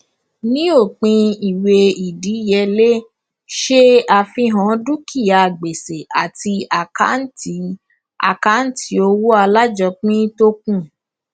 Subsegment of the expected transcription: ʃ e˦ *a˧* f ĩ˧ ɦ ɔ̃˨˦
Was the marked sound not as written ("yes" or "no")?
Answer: no